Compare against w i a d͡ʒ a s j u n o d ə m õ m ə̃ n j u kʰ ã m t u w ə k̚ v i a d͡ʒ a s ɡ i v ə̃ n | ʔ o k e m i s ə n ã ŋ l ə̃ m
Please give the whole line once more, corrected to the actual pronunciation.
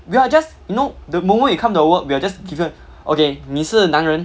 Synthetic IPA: w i a d͡ʒ a s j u n o d ə m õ m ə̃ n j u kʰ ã m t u w ə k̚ w i a d͡ʒ a s ɡ i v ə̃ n | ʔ o k e m i s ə n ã ŋ ɹ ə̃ n